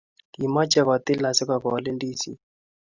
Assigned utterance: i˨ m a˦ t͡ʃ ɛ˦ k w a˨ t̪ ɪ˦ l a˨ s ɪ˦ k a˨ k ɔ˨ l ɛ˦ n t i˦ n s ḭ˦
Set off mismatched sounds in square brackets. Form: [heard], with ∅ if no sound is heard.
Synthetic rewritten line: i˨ m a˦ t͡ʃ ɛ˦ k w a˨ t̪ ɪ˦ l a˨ s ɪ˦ k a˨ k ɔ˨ l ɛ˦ n [d] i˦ [∅] s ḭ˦